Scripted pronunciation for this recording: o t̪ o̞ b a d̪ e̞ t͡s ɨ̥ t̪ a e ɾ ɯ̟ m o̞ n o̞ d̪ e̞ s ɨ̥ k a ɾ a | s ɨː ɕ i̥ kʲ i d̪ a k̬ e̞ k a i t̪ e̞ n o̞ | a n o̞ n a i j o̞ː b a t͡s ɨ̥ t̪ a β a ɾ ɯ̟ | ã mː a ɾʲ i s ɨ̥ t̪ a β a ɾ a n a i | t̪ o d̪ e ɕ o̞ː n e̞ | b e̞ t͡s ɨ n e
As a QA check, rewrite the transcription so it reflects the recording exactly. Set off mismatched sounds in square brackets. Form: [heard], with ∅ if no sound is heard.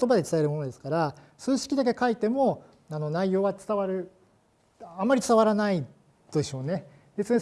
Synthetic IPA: o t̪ o̞ b a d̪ e̞ t͡s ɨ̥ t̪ a e ɾ ɯ̟ m o̞ n o̞ d̪ e̞ s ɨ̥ k a ɾ a | s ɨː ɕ i̥ kʲ i d̪ a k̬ e̞ k a i t̪ e̞ [m] o̞ | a n o̞ n a i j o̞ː [β] a t͡s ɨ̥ t̪ a β a ɾ ɯ̟ | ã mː a ɾʲ i [t͡s] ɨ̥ t̪ a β a ɾ a n a i | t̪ o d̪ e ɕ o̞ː n e̞ | b e̞ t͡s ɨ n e